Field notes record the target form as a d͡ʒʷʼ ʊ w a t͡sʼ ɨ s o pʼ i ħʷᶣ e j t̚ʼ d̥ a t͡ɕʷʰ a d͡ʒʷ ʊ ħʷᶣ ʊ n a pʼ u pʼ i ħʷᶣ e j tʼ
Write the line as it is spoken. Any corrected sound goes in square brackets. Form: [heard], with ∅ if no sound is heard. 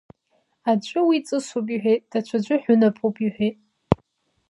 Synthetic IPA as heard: a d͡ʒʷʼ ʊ w [i] t͡sʼ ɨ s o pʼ i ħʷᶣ e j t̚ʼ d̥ a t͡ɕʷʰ a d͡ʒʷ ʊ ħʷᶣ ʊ n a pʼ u pʼ i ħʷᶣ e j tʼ